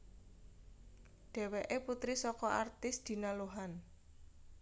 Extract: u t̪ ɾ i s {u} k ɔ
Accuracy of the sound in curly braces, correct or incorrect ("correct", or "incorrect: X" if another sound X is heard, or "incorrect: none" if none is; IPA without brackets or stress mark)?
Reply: incorrect: ɔ